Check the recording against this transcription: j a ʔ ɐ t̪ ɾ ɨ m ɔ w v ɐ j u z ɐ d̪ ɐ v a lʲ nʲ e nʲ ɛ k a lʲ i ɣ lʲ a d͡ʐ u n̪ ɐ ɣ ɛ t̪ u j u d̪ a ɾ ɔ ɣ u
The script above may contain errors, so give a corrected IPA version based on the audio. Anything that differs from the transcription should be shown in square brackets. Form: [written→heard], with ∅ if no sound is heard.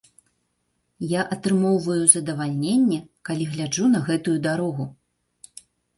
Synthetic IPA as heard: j a ʔ ɐ t̪ ɾ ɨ m ɔ w v ɐ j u z ɐ d̪ ɐ v a lʲ nʲ e [nʲ→nʲː] ɛ k a lʲ i ɣ lʲ a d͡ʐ u n̪ ɐ ɣ ɛ t̪ u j u d̪ a ɾ ɔ ɣ u